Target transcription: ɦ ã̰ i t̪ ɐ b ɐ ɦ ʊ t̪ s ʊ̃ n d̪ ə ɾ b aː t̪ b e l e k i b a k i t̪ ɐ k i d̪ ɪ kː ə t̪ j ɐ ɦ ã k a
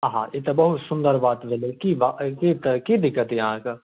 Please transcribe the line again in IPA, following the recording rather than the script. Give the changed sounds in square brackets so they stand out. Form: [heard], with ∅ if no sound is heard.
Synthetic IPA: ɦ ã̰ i t̪ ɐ b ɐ ɦ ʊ t̪ s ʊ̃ n d̪ ə ɾ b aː t̪ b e l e k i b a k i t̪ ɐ k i d̪ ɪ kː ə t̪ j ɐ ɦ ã k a